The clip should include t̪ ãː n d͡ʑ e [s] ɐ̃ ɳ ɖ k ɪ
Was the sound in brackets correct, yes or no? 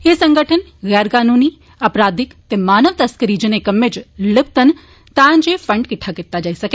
no